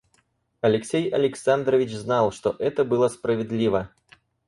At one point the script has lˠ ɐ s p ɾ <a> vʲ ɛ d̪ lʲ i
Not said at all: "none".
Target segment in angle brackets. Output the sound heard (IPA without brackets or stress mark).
ɐ